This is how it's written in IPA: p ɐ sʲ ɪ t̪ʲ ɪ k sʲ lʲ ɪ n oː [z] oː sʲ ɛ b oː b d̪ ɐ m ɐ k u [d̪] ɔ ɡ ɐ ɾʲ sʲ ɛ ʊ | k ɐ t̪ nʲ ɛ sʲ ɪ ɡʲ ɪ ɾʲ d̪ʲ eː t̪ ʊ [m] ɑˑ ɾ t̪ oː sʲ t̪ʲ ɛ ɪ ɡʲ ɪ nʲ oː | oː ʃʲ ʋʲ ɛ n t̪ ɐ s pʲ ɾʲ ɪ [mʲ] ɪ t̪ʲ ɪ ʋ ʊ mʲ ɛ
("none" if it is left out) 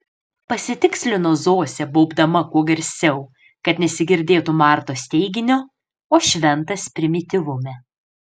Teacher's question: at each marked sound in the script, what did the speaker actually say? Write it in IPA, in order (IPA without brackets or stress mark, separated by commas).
z, none, m, mʲ